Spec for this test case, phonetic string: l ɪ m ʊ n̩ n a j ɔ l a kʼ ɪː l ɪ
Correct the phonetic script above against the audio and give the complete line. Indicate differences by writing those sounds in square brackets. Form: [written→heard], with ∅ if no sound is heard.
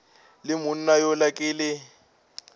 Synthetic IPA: l ɪ m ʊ n̩ n a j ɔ l a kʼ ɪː l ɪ